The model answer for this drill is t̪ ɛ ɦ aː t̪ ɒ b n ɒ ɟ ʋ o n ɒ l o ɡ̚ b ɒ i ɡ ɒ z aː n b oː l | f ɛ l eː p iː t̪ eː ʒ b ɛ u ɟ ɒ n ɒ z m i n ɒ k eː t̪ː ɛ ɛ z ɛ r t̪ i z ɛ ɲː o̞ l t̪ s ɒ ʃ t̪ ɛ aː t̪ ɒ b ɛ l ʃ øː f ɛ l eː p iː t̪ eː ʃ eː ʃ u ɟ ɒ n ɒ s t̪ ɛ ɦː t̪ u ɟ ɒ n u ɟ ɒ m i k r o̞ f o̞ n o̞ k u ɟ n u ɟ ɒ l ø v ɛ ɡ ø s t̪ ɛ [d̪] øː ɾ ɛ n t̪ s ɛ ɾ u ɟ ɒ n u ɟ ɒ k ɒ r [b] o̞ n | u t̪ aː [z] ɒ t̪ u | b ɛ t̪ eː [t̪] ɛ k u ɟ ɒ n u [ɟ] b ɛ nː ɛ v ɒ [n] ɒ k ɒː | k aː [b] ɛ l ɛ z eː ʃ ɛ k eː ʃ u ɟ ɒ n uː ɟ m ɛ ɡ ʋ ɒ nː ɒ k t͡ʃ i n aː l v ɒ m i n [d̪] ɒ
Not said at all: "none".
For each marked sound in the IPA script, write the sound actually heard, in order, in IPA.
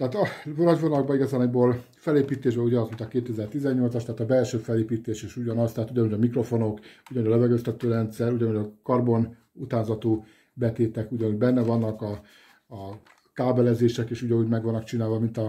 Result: t̪, b, z, t̪, ɟ, nː, b, t̪

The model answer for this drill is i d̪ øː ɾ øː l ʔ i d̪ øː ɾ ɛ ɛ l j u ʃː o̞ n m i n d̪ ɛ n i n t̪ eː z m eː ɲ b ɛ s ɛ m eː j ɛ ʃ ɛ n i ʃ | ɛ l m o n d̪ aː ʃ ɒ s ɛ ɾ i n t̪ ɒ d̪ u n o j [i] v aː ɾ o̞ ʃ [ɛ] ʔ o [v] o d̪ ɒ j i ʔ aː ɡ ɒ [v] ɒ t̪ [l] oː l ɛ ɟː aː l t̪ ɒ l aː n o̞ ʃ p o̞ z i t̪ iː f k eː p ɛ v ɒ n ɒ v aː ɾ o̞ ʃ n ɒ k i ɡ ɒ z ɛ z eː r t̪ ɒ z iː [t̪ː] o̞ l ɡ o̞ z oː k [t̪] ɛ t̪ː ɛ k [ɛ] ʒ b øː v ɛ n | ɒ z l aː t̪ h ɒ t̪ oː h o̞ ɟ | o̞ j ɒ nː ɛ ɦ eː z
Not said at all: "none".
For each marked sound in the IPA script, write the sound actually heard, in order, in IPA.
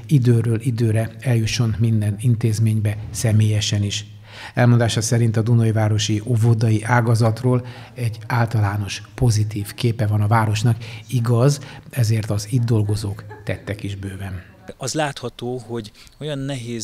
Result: i, i, v, z, r, d̪ː, t̪, i

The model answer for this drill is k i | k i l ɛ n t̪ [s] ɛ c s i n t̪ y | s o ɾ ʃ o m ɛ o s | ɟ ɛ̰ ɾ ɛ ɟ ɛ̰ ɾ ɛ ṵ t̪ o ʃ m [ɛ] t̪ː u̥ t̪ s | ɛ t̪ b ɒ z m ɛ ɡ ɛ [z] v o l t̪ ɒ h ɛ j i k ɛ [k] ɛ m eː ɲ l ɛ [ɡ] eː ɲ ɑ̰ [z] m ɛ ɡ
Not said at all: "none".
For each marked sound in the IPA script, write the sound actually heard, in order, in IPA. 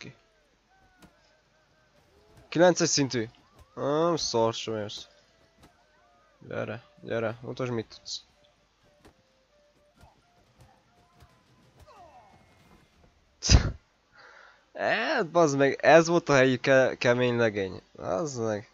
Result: s, i, z, k, ɡ, z

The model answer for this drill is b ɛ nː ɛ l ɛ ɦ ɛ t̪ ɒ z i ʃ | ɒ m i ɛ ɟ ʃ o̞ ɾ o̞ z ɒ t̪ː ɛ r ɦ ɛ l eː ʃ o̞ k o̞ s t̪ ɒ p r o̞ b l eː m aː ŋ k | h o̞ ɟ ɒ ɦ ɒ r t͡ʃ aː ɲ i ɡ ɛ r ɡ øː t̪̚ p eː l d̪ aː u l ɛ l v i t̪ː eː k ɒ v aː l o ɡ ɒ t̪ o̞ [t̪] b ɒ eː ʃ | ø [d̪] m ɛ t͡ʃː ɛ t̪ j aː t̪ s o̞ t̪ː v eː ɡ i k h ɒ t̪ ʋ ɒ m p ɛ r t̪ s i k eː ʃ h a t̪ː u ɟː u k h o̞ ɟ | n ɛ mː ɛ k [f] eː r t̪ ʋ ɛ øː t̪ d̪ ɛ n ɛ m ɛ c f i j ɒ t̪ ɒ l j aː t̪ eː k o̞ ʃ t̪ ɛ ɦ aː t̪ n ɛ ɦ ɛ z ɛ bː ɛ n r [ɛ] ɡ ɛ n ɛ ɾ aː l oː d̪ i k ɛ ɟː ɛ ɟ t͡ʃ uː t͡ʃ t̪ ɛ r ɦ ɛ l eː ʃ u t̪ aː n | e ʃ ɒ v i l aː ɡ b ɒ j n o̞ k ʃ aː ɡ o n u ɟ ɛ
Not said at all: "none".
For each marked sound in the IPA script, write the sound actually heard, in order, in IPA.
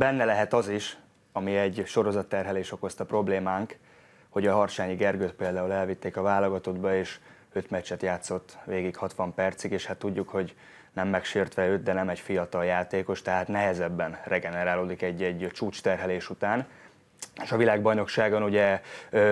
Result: d̪, t̪, ʃ, ɛ

